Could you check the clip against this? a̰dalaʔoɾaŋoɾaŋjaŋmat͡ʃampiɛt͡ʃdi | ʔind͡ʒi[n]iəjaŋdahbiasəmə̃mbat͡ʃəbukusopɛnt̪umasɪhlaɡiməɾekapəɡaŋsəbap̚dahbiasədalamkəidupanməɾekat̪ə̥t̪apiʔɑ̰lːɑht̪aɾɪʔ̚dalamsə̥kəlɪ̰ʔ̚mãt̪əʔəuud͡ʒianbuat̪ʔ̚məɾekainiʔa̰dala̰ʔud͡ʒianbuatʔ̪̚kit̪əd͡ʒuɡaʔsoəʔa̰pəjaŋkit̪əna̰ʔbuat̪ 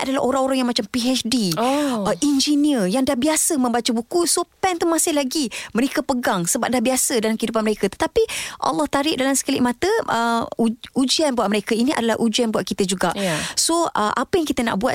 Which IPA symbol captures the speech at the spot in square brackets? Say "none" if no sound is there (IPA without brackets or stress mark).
n